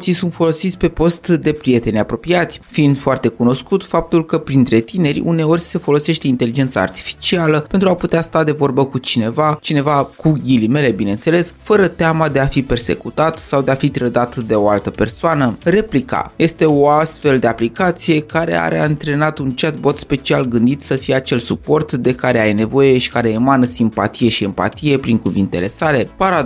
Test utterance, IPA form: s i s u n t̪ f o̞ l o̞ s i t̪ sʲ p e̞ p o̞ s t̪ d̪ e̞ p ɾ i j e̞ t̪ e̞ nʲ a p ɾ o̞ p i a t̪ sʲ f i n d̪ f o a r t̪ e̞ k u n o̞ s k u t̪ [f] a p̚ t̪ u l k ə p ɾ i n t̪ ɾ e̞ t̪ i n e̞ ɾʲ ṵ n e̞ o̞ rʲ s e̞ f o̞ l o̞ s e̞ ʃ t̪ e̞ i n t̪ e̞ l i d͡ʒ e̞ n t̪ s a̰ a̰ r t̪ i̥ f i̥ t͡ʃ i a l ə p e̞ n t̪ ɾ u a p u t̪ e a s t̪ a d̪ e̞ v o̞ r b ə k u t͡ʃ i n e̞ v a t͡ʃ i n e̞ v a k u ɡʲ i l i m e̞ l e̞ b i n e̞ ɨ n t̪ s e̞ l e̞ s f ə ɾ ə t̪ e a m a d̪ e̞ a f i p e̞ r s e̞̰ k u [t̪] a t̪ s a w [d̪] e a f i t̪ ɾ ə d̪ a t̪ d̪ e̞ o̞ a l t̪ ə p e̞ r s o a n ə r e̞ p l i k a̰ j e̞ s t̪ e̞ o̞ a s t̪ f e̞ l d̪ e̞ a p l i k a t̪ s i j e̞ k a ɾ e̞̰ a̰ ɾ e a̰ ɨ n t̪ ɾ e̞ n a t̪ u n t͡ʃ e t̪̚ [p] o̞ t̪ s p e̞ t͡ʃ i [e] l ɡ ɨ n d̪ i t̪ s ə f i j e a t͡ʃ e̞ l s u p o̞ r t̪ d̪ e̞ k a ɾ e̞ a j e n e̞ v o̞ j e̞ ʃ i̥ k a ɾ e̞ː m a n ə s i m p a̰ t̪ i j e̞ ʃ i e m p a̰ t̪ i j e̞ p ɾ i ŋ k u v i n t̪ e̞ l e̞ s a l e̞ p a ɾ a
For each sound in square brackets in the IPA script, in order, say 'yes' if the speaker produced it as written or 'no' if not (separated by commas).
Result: yes, yes, yes, no, no